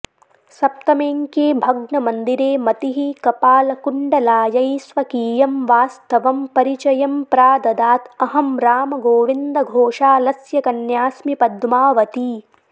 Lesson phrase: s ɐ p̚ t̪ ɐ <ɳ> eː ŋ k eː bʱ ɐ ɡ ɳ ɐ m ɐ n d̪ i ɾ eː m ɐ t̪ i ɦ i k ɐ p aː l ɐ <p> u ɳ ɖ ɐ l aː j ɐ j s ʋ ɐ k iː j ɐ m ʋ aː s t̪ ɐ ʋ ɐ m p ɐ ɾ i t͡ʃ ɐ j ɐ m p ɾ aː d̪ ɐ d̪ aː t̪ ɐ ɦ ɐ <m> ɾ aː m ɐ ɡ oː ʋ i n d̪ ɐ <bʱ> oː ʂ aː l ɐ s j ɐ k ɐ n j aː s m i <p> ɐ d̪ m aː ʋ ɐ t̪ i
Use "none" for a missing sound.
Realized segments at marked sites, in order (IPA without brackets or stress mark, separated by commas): m, k, m, ɡʱ, p